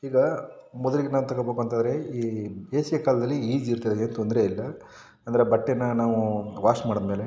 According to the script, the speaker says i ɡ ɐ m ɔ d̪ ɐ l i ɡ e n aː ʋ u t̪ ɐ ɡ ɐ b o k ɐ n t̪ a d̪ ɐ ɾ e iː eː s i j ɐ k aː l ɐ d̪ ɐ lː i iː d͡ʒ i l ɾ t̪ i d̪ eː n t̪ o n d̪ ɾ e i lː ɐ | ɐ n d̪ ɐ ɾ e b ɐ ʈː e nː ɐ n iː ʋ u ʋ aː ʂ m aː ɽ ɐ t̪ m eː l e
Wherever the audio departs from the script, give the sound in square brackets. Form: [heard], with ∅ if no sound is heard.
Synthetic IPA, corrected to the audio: [iː] ɡ ɐ m ɔ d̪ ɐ l i ɡ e n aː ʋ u t̪ ɐ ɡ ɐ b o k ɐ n t̪ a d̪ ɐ ɾ e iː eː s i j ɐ k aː l ɐ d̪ ɐ lː i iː d͡ʒ i [∅] ɾ t̪ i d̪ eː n t̪ o n d̪ ɾ e i lː ɐ | ɐ n d̪ ɐ ɾ e b ɐ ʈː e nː ɐ n [aː] ʋ u ʋ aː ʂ m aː ɽ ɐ [d̪] m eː l e